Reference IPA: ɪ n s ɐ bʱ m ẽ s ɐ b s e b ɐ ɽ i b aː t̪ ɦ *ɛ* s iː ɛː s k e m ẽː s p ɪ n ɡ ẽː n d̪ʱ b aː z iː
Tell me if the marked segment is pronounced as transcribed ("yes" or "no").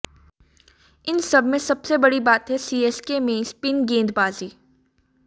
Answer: yes